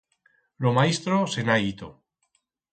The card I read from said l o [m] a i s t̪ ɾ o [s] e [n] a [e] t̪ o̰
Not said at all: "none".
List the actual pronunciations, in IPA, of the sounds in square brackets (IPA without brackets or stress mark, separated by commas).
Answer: m, s, n, i